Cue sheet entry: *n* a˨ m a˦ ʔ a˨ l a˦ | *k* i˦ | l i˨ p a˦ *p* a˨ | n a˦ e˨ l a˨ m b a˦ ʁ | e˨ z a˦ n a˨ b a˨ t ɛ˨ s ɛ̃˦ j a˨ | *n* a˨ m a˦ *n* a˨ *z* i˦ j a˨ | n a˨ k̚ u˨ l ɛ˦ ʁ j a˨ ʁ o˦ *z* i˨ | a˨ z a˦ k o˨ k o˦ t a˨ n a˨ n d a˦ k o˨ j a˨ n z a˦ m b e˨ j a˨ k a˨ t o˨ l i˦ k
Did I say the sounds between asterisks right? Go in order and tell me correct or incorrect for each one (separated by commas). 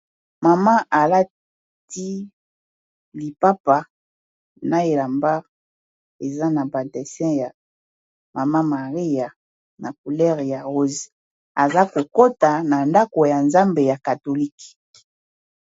incorrect, incorrect, correct, incorrect, incorrect, incorrect, correct